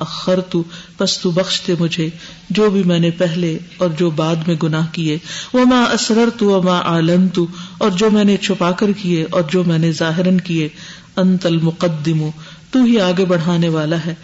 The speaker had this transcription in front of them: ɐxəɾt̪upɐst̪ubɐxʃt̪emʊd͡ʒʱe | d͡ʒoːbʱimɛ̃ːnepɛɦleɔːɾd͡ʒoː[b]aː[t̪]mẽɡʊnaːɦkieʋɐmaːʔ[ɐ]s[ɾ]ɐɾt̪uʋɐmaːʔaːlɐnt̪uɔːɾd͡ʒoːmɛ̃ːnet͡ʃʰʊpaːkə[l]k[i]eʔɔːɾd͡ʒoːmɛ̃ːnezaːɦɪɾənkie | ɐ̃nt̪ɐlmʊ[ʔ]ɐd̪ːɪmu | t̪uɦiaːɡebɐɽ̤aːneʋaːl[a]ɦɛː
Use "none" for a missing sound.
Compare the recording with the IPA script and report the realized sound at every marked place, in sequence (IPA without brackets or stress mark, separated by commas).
b, d̪, ɐ, ɾ, ɾ, i, q, a